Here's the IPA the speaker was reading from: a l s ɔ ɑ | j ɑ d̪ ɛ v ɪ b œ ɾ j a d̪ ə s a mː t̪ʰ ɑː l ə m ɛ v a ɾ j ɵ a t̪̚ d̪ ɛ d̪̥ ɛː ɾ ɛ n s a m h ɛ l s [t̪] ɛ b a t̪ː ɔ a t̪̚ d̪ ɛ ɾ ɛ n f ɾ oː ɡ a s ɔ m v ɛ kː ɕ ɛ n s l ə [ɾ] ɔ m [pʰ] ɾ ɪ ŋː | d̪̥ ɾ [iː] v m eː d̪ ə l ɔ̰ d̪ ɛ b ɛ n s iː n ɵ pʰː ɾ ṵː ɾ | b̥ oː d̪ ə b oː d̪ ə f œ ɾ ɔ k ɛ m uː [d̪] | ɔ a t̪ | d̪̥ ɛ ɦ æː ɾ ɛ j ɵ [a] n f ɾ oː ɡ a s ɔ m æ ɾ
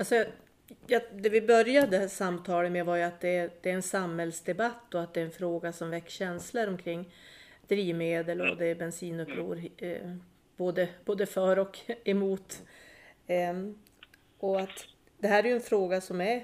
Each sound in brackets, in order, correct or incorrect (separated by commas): incorrect, correct, incorrect, correct, incorrect, incorrect